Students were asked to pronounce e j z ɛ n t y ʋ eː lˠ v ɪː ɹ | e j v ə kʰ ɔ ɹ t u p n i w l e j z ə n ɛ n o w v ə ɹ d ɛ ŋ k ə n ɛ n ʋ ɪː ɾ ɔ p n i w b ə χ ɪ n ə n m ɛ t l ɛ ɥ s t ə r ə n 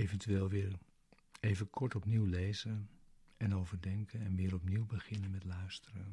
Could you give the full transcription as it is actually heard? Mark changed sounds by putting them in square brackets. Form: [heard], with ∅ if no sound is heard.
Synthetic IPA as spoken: e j [v] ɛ n t y ʋ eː lˠ [ʋ] ɪː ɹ | e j v ə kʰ ɔ ɹ t [ɔ] p n i w l e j z ə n ɛ n o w v ə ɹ d ɛ ŋ k ə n ɛ n ʋ ɪː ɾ ɔ p n i w b ə χ ɪ n ə n m ɛ t l [œ] ɥ s t ə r ə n